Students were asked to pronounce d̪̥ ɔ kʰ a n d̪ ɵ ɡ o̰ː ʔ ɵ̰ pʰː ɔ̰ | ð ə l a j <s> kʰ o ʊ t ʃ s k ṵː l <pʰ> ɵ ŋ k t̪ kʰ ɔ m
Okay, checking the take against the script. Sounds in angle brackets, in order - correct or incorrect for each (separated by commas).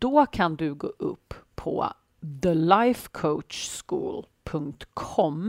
incorrect, correct